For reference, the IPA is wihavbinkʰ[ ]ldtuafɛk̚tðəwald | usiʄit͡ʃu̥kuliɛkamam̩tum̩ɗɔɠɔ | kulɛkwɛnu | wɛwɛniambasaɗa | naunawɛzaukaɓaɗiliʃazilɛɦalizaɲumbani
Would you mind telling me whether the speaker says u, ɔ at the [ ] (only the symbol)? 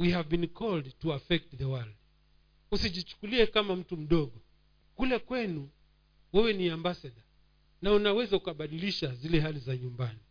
ɔ